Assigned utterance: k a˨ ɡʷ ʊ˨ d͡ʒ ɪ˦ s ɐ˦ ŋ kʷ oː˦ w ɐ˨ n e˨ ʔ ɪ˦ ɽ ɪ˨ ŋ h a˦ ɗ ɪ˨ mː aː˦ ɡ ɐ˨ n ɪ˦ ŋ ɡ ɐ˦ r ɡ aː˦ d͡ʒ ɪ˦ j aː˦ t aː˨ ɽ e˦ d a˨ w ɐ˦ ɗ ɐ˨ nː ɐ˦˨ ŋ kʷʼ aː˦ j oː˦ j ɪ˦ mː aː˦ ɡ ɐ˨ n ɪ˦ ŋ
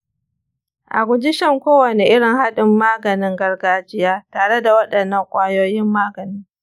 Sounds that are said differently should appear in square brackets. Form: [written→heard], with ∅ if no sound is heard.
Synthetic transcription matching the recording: [k→ʔ] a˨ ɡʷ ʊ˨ d͡ʒ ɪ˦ [s→ʃ] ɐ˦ ŋ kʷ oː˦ w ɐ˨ n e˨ ʔ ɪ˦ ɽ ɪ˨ ŋ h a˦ ɗ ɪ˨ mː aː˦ ɡ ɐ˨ n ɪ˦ ŋ ɡ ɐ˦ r ɡ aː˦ d͡ʒ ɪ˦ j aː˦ t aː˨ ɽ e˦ d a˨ w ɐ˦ ɗ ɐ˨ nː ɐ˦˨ ŋ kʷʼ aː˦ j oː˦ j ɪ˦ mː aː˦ ɡ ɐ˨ n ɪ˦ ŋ